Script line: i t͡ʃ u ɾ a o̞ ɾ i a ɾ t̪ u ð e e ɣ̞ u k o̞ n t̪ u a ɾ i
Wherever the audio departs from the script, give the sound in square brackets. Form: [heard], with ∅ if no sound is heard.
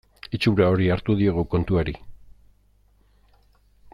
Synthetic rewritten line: i t͡ʃ u ɾ a o̞ ɾ i a ɾ t̪ u ð [i] e ɣ̞ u k o̞ n t̪ u a ɾ i

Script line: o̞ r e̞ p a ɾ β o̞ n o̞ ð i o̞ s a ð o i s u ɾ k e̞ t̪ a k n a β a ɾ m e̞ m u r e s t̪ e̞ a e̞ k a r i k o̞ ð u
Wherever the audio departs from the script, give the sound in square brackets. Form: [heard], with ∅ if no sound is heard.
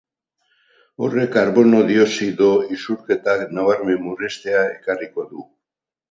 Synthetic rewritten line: o̞ r e̞ [k] a ɾ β o̞ n o̞ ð i o̞ s [i] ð o i s u ɾ k e̞ t̪ a k n a β a ɾ m e̞ m u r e s t̪ e̞ a e̞ k a r i k o̞ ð u

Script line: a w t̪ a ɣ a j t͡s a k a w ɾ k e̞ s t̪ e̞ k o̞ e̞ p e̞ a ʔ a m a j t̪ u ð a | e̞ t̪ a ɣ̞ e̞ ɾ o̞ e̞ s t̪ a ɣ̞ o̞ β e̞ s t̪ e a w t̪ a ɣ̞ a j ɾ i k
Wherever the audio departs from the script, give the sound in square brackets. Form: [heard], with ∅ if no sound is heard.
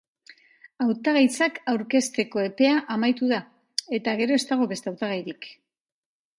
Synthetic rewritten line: a w t̪ a ɣ a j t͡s a k a w ɾ k e̞ s t̪ e̞ k o̞ e̞ p e̞ a ʔ a m a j t̪ u ð a | e̞ t̪ a ɣ̞ e̞ ɾ o̞ e̞ s t̪ a ɣ̞ o̞ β e̞ s t̪ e a w t̪ a ɣ̞ a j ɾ i k

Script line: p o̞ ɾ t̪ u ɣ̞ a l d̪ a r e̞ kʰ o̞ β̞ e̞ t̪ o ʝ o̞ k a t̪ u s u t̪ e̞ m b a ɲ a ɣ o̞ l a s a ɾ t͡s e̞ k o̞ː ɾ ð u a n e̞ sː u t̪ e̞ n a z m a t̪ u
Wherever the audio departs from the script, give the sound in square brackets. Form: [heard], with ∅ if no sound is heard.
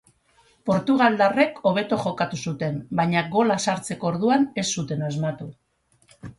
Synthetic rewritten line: p o̞ ɾ t̪ u ɣ̞ a l d̪ a r e̞ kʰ o̞ β̞ e̞ t̪ o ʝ o̞ k a t̪ u s u t̪ e̞ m b a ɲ a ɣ o̞ l a s a ɾ t͡s e̞ k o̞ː ɾ ð u a n e̞ sː u t̪ e̞ n a z m a t̪ u

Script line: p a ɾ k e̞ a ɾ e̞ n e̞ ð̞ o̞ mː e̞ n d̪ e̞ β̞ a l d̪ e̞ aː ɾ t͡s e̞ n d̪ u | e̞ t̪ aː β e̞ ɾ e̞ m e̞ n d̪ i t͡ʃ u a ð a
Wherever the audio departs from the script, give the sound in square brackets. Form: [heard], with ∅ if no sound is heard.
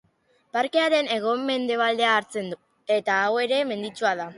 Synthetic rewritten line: p a ɾ k e̞ a ɾ e̞ n e̞ [ɣ̞] o̞ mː e̞ n d̪ e̞ β̞ a l d̪ e̞ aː ɾ t͡s e̞ n d̪ u | e̞ t̪ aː [w] e̞ ɾ e̞ m e̞ n d̪ i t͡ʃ u a ð a

